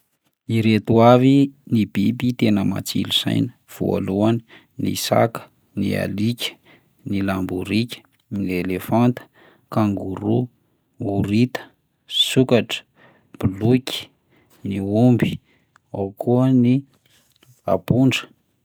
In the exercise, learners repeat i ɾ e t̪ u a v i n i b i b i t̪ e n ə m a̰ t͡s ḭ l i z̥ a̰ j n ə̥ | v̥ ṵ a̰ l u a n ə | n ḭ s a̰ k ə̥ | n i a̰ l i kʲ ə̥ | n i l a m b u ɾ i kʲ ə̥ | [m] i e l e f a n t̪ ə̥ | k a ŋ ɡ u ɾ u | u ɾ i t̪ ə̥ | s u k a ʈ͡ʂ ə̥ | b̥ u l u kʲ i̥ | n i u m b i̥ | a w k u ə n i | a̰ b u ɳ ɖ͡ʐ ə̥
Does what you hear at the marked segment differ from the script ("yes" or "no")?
yes